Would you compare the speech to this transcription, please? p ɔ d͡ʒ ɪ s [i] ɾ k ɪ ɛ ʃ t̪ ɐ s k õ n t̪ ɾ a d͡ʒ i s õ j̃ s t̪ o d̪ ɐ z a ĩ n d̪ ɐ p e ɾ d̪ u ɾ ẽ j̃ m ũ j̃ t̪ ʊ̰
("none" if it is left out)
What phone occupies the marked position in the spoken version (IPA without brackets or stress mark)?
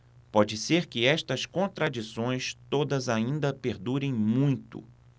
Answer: e